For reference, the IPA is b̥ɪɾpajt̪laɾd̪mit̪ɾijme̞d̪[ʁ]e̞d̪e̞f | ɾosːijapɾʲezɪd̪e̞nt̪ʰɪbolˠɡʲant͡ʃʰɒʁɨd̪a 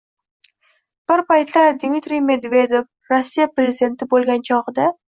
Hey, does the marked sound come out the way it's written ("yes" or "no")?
no